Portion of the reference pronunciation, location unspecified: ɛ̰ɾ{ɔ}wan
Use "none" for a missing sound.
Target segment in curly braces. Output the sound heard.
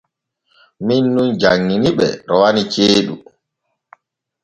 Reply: ɔ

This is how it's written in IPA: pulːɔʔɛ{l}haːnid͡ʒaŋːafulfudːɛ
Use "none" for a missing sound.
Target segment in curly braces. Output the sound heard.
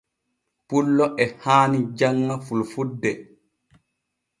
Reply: none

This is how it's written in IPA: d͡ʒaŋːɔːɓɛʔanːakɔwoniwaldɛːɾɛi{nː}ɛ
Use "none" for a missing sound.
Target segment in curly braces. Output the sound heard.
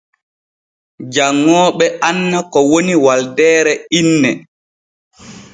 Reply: nː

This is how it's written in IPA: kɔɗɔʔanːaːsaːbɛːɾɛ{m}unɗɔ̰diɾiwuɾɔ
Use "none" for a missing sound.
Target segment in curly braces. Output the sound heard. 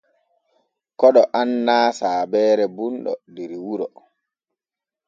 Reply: b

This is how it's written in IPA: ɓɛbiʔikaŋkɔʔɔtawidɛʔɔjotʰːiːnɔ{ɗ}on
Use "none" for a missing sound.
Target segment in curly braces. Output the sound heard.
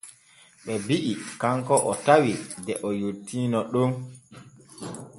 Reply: ɗ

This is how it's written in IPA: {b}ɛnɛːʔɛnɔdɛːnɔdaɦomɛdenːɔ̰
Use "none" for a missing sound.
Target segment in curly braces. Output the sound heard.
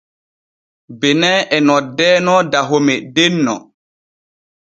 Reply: b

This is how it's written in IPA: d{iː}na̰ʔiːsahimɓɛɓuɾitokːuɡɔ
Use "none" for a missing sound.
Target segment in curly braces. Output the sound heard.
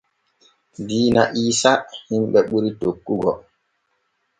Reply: iː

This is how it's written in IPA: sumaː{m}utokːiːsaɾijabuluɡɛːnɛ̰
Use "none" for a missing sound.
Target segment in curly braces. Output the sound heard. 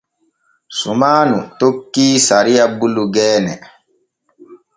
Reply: n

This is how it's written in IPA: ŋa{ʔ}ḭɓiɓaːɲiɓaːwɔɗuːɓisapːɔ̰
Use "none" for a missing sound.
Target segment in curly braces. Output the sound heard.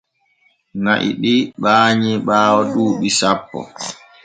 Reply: ʔ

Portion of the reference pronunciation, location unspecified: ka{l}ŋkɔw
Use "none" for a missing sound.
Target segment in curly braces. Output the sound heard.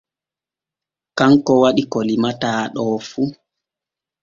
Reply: none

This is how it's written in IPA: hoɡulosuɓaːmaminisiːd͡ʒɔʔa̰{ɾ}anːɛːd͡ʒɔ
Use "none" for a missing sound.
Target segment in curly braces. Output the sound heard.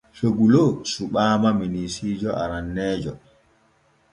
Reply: ɾ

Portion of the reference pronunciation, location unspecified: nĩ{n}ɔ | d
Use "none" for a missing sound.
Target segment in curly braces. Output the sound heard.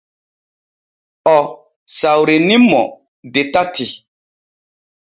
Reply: m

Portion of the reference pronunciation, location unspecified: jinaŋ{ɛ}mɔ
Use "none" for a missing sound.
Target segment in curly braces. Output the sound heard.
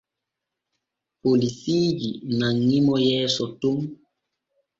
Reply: i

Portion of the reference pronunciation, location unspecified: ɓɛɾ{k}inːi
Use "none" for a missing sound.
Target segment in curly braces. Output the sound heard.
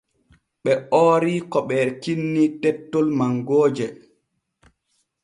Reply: k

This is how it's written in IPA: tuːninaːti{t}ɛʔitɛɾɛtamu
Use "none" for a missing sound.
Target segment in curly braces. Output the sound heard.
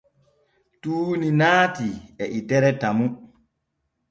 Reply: none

